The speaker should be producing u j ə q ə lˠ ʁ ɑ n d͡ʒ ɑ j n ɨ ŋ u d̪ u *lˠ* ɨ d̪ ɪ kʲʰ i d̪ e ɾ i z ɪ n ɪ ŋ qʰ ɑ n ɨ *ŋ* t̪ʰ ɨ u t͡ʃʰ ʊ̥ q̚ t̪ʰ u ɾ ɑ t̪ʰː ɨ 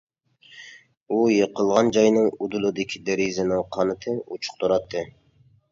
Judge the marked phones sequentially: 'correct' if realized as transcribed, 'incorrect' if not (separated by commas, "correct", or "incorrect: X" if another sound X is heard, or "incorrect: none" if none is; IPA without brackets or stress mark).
correct, incorrect: none